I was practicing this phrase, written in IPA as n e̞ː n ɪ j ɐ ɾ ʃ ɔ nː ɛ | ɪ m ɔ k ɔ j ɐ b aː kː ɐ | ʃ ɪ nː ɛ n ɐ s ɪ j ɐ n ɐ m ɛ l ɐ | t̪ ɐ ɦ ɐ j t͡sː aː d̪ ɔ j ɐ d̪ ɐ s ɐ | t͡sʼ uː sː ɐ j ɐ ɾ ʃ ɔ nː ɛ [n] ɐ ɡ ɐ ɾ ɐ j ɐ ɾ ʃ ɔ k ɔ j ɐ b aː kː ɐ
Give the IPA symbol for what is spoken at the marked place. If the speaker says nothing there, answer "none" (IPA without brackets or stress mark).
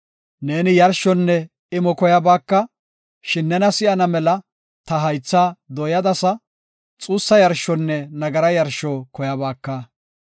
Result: n